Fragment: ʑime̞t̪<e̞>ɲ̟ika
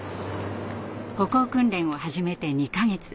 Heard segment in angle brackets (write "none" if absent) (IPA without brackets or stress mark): e̞